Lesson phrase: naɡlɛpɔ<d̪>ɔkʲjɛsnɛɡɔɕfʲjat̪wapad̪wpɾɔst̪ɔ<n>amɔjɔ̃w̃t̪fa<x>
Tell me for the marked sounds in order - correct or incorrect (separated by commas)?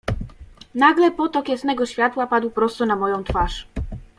incorrect, correct, incorrect